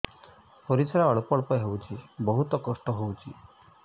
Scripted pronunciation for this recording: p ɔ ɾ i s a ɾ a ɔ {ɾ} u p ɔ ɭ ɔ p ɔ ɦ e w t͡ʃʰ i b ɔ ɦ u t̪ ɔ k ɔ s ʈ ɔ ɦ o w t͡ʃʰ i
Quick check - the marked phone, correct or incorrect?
incorrect